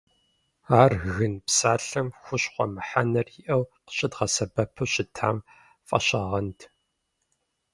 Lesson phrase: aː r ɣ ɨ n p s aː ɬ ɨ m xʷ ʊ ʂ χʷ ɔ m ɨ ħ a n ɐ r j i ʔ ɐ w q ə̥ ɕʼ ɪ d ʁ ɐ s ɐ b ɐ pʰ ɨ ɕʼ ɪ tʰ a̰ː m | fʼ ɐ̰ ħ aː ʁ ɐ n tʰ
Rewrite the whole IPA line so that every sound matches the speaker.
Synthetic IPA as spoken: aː r ɣ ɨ n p s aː ɬ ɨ m xʷ ʊ ɕ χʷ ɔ m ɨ ħ a n ɐ r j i ʔ ɐ w q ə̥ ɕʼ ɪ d ʁ ɐ s ɐ b ɐ pʰ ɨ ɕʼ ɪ tʰ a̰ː m | fʼ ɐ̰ ɕ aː ʁ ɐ n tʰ